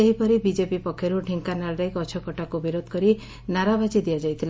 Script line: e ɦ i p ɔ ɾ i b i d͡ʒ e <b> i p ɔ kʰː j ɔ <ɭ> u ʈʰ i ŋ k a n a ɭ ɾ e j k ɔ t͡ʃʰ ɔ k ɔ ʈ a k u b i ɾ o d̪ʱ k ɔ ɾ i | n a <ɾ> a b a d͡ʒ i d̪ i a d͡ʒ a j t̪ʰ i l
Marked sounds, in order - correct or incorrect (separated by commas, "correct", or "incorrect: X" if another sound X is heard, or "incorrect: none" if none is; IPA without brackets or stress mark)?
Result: incorrect: p, incorrect: ɾ, correct